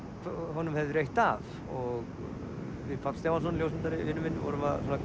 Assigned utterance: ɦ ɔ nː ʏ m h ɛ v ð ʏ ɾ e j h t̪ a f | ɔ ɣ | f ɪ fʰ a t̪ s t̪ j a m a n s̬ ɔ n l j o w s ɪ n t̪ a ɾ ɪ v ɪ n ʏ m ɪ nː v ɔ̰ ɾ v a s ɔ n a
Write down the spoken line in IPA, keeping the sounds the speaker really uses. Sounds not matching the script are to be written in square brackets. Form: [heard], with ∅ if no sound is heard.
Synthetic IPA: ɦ ɔ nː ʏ m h ɛ v ð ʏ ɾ e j h t̪ a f | ɔ ɣ | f ɪ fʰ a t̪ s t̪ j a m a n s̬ ɔ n l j o w s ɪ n t̪ a ɾ ɪ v ɪ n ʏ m ɪ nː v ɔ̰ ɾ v a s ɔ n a

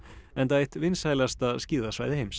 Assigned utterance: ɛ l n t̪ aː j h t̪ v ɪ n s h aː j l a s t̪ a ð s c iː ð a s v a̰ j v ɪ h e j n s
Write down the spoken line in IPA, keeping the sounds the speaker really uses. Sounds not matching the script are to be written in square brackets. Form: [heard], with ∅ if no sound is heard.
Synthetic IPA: ɛ [∅] n t̪ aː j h t̪ v ɪ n s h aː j l a s t̪ a ð s c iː ð a s v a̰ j [ð] ɪ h e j [m] s

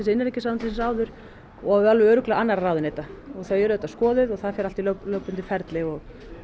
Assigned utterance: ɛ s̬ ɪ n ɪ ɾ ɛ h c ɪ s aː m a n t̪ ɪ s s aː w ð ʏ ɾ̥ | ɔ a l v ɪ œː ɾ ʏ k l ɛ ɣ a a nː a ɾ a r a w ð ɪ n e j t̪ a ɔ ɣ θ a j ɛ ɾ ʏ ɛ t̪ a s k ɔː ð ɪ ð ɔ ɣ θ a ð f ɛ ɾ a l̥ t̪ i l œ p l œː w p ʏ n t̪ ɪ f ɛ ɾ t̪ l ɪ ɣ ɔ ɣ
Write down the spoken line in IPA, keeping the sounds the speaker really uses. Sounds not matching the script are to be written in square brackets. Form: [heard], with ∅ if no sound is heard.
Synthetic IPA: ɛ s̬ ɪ n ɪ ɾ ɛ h c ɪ s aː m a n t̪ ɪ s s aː w ð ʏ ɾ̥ | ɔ a l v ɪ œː ɾ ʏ k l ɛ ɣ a a nː a ɾ a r a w ð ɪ n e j t̪ a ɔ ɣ θ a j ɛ ɾ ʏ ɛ t̪ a s k ɔː ð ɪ ð ɔ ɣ θ a ð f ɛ ɾ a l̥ t̪ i l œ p l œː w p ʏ n t̪ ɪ f ɛ ɾ t̪ l ɪ ɣ ɔ ɣ

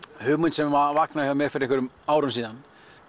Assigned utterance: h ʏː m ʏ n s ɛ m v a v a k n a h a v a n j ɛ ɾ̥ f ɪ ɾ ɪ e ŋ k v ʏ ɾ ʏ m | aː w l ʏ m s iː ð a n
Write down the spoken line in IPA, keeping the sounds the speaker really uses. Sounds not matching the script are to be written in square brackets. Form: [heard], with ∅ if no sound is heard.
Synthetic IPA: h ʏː m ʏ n s ɛ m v a v a k n a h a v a [m] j ɛ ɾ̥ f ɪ ɾ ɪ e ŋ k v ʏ ɾ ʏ m | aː w [ɾ] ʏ m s iː ð a n

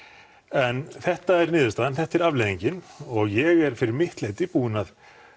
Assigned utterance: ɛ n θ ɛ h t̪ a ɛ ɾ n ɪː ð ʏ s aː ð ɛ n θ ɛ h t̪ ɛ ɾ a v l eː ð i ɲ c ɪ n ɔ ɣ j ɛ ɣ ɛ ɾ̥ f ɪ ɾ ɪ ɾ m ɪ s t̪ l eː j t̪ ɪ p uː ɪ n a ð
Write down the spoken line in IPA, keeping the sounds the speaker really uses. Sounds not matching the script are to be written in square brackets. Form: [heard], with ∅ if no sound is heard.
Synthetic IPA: ɛ n θ ɛ h t̪ a ɛ ɾ n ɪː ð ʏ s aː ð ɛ n θ ɛ h t̪ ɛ ɾ a v l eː ð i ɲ c ɪ n ɔ ɣ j ɛ ɣ ɛ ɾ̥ f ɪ ɾ ɪ ɾ m ɪ [h] t̪ l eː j t̪ ɪ p uː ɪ n a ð

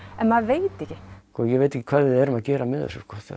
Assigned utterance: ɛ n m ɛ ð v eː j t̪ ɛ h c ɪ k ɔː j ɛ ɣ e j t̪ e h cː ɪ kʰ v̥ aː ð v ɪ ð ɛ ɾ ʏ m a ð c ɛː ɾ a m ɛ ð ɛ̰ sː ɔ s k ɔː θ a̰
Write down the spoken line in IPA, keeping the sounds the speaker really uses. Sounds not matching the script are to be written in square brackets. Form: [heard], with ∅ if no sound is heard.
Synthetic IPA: ɛ n m [a] ð v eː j t̪ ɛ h c ɪ k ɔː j ɛ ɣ e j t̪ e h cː ɪ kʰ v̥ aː ð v ɪ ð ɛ ɾ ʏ m a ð c ɛː ɾ a m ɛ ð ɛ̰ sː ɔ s k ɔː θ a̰

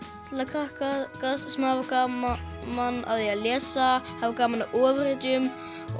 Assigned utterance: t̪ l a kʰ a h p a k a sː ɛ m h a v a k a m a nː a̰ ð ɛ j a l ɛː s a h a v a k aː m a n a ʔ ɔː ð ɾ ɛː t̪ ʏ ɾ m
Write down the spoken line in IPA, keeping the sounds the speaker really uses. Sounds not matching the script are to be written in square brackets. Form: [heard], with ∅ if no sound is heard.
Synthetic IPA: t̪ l a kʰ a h [k] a k a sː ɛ m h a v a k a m a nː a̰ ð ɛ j a l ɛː s a h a v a k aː m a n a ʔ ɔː [v] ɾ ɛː t̪ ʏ [∅] m

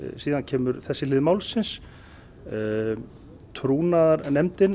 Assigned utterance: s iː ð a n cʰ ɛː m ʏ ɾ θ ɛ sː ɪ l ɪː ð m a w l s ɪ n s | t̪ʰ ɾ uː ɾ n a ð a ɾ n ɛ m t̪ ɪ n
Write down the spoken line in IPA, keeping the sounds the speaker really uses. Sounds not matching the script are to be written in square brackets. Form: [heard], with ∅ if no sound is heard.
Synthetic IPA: s iː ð a n cʰ ɛː m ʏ ɾ θ ɛ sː ɪ l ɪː ð m a w l s ɪ n s | t̪ʰ ɾ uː [∅] n a ð a ɾ n ɛ m t̪ ɪ n

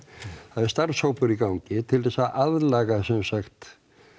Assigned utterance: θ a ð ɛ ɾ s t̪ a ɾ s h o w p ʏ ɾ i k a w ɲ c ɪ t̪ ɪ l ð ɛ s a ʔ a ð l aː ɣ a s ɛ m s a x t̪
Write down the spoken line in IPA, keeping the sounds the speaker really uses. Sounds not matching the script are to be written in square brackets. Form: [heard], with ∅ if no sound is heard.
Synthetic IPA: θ a ð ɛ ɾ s t̪ a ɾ s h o w p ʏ ɾ i k a w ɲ c ɪ [t̪ʰ] ɪ l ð ɛ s a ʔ a ð l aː ɣ a s ɛ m s a x t̪

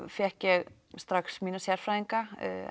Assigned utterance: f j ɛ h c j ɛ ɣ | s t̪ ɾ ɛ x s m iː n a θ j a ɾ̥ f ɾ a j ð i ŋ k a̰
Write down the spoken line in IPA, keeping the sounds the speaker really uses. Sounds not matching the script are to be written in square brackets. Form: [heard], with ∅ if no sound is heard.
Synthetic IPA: f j ɛ h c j ɛ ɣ | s t̪ ɾ [a] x s m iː n a [s] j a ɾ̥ f ɾ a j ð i ŋ k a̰

